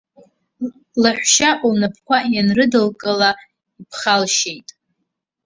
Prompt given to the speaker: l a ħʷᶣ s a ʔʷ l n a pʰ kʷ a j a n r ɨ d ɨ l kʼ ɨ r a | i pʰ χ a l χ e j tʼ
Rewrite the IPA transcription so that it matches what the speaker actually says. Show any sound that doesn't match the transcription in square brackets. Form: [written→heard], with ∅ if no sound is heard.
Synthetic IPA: l a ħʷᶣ [s→ʃ] a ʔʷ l n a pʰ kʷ a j a n r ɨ d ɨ l kʼ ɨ [r→l] a | i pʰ χ a l [χ→ʃ] e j tʼ